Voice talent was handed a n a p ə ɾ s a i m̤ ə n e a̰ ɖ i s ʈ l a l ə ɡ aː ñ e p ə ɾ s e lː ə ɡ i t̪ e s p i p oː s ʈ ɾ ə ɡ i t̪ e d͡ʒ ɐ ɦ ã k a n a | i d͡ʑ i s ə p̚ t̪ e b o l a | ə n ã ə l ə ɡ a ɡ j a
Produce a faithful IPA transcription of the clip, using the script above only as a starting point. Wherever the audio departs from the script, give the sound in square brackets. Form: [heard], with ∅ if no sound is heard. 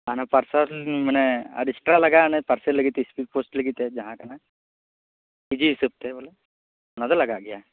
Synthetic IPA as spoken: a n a p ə ɾ s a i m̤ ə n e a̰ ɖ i s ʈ [ɾ] a l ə ɡ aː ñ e p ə ɾ s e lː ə ɡ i t̪ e s p i p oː s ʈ [l] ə ɡ i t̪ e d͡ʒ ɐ ɦ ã k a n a | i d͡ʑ i s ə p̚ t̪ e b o l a | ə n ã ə l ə ɡ a ɡ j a

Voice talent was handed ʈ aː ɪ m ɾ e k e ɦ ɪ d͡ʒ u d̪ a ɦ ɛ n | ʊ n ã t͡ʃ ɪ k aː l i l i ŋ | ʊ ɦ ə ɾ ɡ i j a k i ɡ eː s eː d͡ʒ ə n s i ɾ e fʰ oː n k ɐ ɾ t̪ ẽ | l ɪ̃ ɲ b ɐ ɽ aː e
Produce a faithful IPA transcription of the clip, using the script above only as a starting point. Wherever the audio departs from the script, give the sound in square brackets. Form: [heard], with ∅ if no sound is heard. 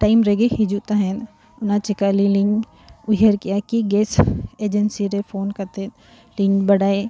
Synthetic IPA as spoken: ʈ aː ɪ m ɾ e [ɡ] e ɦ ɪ d͡ʒ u [t̪] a ɦ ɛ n | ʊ n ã t͡ʃ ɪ k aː l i l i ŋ | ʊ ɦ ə ɾ [k] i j a k i ɡ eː s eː d͡ʒ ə n s i ɾ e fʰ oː n k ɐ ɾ t̪ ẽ | l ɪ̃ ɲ b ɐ ɽ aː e

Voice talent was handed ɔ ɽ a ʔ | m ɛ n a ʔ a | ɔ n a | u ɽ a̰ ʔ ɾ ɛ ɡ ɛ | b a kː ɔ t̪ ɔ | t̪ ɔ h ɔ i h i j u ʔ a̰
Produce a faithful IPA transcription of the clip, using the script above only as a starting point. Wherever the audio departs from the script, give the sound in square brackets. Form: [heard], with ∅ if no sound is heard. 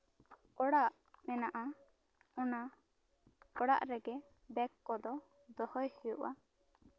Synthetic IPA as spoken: ɔ ɽ a ʔ | m ɛ n a ʔ a | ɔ n a | [ɔ] ɽ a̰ ʔ ɾ ɛ ɡ ɛ | b [ɛ] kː ɔ [d̪] ɔ | [d̪] ɔ h ɔ [j] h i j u ʔ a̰

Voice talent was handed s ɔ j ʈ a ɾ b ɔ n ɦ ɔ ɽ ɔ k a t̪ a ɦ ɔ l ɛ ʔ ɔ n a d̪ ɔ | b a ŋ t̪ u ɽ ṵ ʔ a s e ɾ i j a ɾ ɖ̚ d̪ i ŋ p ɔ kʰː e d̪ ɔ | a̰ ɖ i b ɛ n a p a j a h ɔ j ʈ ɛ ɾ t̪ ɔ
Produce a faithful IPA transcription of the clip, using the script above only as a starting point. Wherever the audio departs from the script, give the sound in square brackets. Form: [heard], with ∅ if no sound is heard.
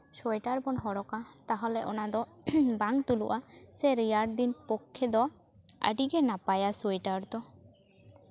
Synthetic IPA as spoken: s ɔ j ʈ a ɾ b ɔ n ɦ ɔ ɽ ɔ k a t̪ a ɦ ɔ l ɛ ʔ ɔ n a d̪ ɔ | b a ŋ t̪ u [l] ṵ ʔ a s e ɾ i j a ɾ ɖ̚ d̪ i [n] p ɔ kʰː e d̪ ɔ | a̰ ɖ i [ɡ] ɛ n a p a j a [s] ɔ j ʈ [a] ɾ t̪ ɔ

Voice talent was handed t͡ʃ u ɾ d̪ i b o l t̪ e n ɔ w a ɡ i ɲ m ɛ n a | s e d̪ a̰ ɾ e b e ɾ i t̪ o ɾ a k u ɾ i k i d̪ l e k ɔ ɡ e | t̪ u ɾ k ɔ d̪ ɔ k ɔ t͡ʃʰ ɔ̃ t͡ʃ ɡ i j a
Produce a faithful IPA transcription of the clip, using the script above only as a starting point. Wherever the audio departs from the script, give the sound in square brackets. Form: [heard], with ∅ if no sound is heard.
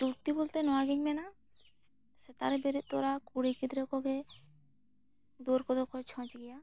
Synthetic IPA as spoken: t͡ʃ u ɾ [t̪] i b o l t̪ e n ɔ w a ɡ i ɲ m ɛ n a | s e [t̪] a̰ ɾ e b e ɾ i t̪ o ɾ a k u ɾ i k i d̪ [ɾ] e k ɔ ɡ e | [d̪] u ɾ k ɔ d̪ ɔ k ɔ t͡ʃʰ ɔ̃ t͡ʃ ɡ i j a

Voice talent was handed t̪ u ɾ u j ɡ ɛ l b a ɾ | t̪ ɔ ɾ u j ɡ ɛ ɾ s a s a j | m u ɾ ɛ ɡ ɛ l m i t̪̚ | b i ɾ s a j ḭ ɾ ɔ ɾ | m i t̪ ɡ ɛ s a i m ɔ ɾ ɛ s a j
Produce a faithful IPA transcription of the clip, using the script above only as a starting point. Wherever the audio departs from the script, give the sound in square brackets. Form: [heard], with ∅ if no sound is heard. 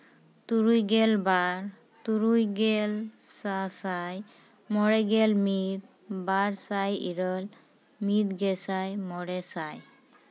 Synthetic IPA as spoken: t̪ u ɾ u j ɡ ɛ l b a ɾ | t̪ [u] ɾ u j ɡ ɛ [l] s a s a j | m [ɔ] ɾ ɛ ɡ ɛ l m i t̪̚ | b [a] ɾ s a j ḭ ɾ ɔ [l] | m i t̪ ɡ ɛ s a [j] m ɔ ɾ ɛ s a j

